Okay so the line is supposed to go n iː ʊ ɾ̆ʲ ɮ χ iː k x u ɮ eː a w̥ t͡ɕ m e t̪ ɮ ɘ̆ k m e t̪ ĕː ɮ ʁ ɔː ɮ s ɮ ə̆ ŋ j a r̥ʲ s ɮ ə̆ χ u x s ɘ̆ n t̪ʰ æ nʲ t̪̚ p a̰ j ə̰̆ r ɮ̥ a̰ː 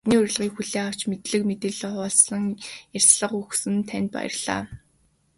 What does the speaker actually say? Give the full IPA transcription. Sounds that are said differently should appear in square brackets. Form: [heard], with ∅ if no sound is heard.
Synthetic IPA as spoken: n iː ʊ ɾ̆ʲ ɮ [ʁ] iː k x u ɮ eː a w̥ t͡ɕ m e t̪ ɮ ɘ̆ k m e t̪ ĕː ɮ [χ] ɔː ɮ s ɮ ə̆ ŋ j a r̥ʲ s ɮ ə̆ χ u x s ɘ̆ n t̪ʰ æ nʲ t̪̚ p a̰ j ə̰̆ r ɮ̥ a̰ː